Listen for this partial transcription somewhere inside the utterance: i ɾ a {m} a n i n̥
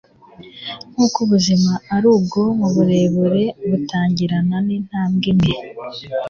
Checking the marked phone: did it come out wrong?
yes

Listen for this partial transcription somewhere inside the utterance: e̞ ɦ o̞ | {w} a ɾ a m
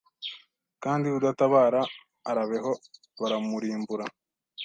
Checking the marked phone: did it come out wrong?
yes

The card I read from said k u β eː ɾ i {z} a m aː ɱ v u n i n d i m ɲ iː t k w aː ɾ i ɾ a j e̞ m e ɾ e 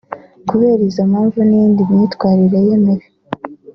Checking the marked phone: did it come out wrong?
no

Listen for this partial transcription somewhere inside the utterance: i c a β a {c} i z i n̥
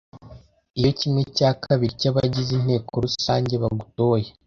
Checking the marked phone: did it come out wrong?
yes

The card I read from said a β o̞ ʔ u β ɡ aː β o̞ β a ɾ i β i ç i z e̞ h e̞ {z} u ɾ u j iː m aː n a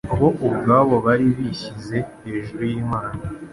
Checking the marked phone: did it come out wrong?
yes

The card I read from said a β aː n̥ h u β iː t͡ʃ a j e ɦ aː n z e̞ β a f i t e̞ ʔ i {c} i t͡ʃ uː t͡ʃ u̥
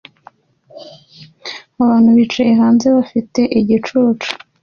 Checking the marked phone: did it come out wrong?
yes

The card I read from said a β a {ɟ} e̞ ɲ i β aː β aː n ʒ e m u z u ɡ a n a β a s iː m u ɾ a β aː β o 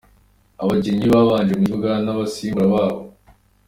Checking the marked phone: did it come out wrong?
no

